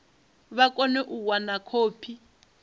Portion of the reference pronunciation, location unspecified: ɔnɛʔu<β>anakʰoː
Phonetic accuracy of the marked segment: incorrect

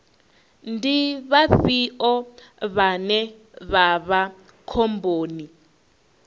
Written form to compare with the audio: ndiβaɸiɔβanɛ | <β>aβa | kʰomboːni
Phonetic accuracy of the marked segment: correct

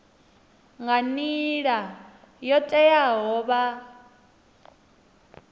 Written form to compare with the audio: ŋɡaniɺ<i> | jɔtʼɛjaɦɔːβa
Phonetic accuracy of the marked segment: incorrect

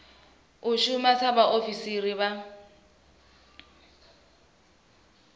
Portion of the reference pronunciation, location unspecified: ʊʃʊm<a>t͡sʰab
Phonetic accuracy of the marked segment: correct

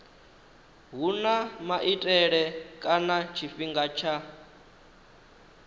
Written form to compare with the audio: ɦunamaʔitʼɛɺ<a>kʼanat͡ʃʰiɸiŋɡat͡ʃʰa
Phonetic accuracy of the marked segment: incorrect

